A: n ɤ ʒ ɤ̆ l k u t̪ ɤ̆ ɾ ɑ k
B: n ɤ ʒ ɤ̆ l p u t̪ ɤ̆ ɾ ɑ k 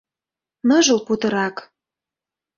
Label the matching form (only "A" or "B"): B